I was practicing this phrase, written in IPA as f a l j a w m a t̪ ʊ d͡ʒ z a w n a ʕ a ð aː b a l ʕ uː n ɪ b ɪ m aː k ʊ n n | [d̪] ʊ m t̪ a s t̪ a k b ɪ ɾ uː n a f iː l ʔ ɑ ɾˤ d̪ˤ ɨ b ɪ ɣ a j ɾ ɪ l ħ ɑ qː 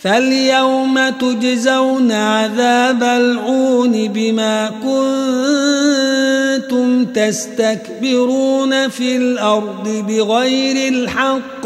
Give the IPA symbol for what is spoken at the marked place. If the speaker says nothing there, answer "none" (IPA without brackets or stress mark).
t̪